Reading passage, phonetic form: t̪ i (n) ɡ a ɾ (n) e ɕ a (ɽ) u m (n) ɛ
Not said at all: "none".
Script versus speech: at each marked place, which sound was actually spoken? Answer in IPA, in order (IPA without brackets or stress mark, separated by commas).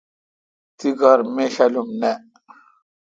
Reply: none, m, l, n